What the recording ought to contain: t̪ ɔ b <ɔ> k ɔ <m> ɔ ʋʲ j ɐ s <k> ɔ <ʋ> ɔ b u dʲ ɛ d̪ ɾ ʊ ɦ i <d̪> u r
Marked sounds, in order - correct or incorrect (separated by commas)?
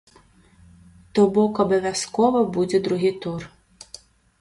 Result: correct, incorrect, correct, correct, incorrect